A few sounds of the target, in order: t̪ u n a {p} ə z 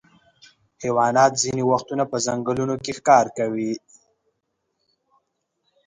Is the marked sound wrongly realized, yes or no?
no